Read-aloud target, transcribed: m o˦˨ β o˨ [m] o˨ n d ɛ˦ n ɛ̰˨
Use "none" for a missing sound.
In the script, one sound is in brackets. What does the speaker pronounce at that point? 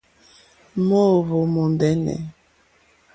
m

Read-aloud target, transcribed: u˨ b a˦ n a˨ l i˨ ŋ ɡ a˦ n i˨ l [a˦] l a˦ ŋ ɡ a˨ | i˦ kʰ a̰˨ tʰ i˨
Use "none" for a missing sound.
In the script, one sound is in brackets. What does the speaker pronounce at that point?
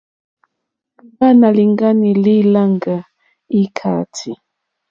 i˦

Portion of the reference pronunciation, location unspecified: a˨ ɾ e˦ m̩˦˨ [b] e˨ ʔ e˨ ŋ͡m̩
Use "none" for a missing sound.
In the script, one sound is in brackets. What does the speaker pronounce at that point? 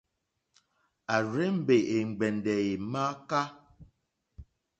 b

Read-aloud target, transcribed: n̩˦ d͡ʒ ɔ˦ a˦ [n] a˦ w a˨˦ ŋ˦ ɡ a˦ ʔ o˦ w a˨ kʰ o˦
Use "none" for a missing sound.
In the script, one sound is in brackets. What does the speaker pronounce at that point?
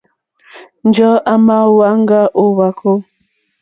m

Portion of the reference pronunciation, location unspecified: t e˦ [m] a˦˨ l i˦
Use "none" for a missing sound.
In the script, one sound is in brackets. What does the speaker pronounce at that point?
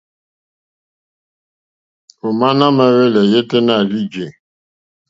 n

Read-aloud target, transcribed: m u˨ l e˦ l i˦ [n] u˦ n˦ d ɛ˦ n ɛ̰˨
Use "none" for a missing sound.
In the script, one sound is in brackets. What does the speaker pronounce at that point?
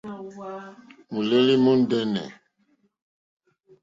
m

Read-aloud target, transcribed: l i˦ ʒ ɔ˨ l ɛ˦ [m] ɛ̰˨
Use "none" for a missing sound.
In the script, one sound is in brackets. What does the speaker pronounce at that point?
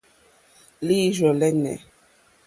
n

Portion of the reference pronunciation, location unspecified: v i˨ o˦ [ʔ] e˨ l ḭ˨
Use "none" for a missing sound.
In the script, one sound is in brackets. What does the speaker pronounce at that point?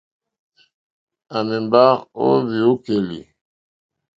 k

